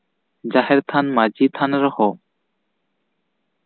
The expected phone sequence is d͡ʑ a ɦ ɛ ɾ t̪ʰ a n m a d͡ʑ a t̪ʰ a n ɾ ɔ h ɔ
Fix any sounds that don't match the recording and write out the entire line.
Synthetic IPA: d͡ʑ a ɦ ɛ ɾ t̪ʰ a n m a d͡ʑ i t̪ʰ a n ɾ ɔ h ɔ